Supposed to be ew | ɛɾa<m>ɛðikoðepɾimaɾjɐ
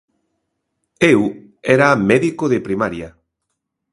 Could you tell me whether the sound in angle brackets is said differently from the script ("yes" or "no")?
no